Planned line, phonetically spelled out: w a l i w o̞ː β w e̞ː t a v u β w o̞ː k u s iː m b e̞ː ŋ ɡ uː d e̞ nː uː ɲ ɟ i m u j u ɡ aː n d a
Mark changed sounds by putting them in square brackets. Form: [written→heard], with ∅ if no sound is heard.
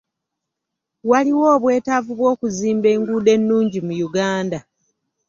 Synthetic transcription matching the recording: w a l i w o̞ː β w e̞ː t a v u β w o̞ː k u [s→z] iː m b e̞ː ŋ ɡ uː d e̞ nː uː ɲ ɟ i m u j u ɡ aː n d a